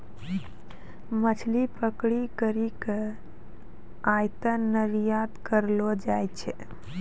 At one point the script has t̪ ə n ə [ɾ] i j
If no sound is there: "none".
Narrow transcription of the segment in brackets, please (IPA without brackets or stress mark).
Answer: ɾ